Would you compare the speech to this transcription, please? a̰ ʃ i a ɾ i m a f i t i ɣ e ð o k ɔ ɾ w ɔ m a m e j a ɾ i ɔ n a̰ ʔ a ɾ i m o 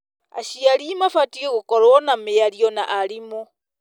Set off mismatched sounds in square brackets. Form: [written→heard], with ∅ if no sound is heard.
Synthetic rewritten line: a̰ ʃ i a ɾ i m a f [i→a] t i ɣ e [ð→ɣ] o k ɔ ɾ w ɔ [m→n] a m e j a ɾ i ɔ n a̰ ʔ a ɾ i m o